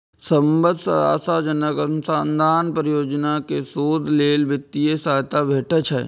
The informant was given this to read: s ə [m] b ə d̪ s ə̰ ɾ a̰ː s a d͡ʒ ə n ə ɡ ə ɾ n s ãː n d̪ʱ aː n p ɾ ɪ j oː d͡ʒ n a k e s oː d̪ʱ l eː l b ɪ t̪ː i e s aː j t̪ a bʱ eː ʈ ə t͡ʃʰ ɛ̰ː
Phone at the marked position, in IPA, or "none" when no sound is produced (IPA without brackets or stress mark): m